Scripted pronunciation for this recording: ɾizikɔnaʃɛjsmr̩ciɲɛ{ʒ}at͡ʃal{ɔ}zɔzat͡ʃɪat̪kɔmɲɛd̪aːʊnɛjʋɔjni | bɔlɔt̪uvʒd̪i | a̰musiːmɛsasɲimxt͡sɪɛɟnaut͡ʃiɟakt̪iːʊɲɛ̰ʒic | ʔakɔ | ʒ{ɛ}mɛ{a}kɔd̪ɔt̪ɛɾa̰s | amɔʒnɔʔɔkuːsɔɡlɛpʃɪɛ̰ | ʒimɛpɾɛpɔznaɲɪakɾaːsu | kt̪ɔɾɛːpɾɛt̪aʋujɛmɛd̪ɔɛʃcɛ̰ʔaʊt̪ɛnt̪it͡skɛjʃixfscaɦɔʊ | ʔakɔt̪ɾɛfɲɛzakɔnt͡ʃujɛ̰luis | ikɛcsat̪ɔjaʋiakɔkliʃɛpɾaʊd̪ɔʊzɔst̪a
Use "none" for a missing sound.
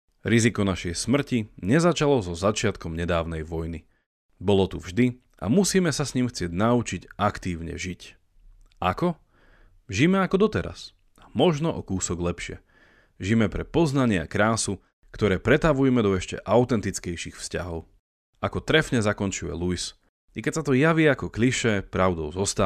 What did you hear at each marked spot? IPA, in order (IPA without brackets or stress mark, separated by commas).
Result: z, ɔ, i, a